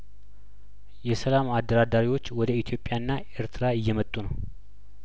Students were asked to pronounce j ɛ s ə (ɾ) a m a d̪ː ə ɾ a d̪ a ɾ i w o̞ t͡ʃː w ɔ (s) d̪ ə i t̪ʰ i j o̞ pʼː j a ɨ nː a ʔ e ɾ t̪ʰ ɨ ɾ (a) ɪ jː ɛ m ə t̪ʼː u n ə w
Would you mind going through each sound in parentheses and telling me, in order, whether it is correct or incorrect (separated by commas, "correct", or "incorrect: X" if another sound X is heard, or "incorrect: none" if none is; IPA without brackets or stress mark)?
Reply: incorrect: l, incorrect: none, correct